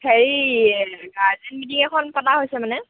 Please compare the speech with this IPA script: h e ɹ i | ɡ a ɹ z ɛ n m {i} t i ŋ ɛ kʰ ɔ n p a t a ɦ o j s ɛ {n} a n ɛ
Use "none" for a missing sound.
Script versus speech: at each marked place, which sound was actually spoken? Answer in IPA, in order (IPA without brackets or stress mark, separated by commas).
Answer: i, m